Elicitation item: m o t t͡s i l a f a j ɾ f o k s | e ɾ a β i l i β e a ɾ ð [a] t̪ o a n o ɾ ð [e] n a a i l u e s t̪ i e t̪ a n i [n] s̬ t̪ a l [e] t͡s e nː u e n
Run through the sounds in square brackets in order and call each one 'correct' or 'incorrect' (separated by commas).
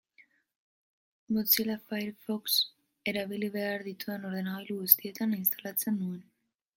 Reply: incorrect, correct, correct, incorrect